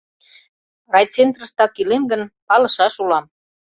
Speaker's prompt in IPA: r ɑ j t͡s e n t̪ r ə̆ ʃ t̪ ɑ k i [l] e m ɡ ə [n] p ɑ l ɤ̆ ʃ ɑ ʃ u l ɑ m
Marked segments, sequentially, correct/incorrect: correct, correct

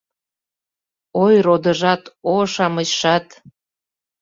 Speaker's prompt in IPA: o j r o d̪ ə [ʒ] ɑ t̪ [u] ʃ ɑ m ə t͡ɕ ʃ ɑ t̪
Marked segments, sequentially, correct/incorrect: correct, incorrect: o

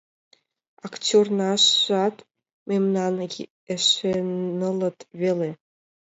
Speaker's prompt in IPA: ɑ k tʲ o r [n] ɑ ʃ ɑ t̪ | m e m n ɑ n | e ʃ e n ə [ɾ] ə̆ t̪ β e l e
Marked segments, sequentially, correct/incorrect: correct, incorrect: l

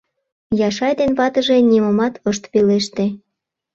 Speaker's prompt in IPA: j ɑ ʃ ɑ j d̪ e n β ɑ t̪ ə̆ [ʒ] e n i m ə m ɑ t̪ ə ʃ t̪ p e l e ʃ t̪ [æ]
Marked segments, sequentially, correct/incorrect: correct, incorrect: e

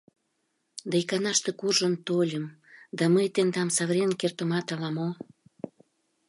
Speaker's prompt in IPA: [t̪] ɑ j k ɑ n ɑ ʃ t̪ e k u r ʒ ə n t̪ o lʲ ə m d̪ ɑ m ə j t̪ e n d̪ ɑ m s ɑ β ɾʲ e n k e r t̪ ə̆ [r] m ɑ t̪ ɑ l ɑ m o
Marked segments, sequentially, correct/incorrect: incorrect: d̪, incorrect: none

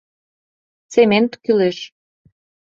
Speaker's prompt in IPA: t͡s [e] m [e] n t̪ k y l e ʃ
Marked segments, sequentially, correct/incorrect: correct, correct

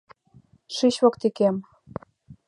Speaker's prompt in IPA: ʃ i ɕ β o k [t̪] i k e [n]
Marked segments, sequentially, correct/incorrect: correct, incorrect: m

